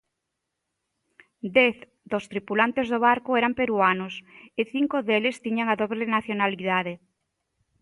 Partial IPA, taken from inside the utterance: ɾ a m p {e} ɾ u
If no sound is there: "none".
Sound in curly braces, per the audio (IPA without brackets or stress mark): e